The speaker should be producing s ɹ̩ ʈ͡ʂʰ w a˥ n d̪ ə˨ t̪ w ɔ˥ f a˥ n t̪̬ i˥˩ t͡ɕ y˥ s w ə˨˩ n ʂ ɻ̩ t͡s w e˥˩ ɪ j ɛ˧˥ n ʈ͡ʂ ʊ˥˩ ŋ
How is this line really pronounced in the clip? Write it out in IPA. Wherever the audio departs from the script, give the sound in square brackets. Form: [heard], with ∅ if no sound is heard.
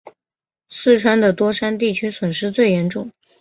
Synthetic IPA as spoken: s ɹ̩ ʈ͡ʂʰ w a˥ n d̪ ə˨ t̪ w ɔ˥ [ʂ] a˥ n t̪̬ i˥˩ [t͡ɕʰ] y˥ s w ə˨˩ n ʂ ɻ̩ t͡s w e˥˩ ɪ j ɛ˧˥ n ʈ͡ʂ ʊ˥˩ ŋ